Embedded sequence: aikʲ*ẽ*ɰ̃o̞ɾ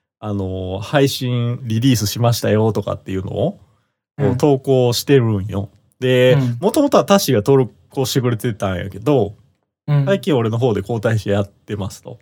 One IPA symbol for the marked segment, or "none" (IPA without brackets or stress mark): ĩ